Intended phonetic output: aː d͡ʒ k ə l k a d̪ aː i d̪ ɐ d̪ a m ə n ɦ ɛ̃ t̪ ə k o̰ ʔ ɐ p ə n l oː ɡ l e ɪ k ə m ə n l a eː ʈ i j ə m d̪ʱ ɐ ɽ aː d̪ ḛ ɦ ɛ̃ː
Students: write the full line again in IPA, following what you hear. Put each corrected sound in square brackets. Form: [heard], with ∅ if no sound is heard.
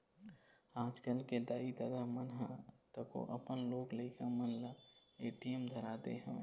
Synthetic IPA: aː d͡ʒ k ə l k [e] d̪ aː i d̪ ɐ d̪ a m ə n ɦ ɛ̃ t̪ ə k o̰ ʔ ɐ p ə n l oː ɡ l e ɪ k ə m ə n l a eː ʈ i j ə m d̪ʱ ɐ [ɾ] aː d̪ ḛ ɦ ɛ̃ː